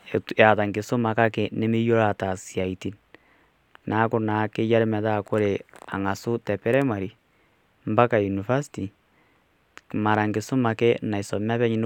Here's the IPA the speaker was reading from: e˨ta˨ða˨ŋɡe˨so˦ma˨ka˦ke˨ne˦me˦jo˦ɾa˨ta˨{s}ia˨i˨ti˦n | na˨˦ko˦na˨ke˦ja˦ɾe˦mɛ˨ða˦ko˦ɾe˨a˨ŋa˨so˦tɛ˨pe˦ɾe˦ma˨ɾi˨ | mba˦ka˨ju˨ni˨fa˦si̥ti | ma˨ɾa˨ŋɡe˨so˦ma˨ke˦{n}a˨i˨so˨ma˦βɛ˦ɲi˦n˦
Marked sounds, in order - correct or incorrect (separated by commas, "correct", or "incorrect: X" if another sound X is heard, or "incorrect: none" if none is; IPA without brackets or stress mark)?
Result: correct, correct